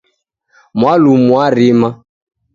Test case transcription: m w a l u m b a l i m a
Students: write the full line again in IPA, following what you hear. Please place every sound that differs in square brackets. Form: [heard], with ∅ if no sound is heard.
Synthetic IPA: m w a l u m [w] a [ɾ] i m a